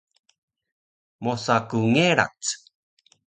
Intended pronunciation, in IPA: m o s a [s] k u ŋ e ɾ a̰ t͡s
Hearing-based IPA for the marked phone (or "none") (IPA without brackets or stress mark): none